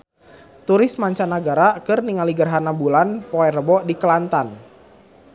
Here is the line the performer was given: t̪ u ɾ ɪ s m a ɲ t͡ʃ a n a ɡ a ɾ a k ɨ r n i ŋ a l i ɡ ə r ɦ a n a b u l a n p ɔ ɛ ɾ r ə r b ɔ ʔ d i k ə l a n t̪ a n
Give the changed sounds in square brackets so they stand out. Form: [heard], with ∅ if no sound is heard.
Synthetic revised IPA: t̪ u ɾ ɪ s m a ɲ t͡ʃ a n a ɡ a ɾ a k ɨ r n i ŋ a l i ɡ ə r ɦ a n a b u l a n p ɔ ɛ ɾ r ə [∅] b ɔ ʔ d i k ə l a n t̪ a n